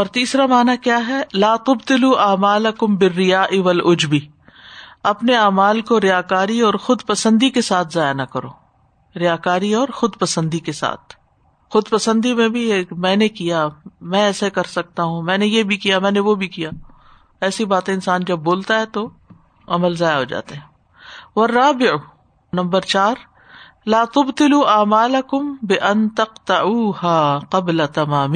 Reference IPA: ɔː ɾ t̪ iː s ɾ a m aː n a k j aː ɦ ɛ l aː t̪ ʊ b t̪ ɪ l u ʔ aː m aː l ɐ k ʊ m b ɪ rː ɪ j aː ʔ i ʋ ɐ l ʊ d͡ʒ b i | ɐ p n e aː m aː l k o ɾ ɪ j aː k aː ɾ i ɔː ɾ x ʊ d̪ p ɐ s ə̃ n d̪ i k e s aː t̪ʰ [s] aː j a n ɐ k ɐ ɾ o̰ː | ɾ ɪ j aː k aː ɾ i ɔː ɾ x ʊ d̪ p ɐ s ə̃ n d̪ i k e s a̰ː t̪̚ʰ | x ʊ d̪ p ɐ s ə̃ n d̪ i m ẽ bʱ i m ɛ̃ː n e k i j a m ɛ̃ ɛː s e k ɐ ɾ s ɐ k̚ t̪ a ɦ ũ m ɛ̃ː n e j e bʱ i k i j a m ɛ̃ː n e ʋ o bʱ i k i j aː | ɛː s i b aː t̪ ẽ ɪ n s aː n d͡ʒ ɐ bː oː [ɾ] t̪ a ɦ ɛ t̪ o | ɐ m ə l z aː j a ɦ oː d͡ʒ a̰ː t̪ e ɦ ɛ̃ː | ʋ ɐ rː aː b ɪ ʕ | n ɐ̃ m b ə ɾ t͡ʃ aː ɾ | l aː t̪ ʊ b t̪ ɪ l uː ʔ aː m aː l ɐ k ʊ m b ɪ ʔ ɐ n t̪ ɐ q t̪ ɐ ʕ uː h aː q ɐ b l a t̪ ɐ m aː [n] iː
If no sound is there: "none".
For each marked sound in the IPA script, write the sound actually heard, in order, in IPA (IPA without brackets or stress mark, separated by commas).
z, l, m